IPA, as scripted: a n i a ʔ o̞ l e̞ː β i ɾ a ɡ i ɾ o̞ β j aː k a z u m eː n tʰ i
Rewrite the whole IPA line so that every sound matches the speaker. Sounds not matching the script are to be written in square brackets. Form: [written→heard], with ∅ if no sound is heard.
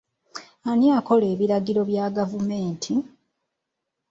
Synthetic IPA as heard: a n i a [ʔ→k] o̞ l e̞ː β i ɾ a ɡ i ɾ o̞ β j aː [k→ɡ] a [z→v] u m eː n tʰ i